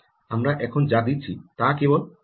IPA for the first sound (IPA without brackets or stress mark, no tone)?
a